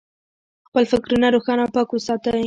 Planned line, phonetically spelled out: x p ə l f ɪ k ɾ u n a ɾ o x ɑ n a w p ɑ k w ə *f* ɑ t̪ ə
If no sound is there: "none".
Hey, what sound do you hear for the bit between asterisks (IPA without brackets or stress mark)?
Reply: s